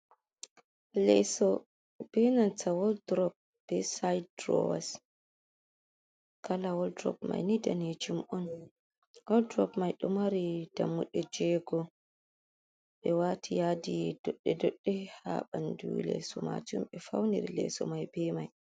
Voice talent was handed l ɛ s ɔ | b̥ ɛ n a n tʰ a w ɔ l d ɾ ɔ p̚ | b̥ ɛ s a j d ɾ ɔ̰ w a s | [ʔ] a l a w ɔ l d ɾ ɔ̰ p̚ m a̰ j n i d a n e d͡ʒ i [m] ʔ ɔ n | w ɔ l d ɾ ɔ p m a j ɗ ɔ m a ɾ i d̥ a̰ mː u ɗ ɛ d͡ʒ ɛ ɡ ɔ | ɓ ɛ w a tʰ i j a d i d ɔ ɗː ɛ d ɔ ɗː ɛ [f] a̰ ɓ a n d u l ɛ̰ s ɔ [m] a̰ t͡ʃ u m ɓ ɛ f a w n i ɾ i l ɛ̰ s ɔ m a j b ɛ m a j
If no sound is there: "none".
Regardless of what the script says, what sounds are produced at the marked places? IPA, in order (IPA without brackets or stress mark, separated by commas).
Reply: k, m, h, m